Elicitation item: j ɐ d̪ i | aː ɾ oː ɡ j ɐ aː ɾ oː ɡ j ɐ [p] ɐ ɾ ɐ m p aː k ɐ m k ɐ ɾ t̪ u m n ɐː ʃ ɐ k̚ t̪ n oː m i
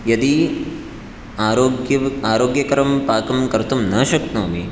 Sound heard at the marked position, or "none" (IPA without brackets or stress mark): k